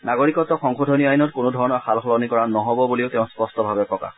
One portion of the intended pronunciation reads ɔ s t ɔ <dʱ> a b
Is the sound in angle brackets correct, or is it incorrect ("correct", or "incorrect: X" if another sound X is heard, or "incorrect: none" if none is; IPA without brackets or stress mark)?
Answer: incorrect: bʱ